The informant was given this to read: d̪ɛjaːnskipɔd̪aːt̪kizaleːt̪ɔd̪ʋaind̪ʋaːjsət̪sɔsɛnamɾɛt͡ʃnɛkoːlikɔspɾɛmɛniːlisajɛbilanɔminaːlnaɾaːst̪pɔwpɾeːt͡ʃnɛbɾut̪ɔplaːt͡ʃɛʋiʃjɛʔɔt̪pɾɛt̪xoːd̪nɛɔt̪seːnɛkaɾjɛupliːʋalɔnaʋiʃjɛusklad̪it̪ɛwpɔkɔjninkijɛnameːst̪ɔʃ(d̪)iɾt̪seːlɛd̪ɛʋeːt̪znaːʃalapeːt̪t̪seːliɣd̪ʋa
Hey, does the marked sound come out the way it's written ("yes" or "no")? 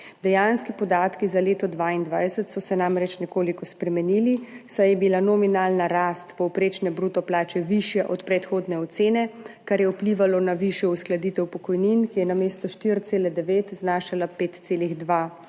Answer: no